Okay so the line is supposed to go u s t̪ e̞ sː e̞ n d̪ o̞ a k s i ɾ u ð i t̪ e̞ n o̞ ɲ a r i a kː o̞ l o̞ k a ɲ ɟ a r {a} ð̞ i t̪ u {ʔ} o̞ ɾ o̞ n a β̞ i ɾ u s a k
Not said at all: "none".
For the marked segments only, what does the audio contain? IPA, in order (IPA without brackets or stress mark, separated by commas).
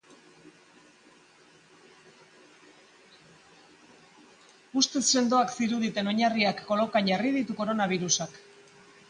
i, k